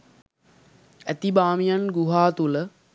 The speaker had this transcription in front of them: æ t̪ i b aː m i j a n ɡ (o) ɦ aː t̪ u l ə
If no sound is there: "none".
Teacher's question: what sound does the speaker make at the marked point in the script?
u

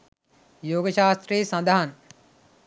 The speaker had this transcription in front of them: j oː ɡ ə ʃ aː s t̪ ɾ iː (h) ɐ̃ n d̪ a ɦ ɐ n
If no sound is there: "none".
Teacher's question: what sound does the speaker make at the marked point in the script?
s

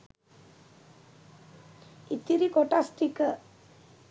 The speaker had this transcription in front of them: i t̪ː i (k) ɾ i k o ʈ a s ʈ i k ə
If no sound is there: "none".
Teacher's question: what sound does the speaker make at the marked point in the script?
none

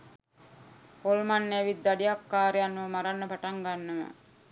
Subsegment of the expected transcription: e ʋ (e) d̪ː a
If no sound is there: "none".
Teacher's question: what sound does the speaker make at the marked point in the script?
i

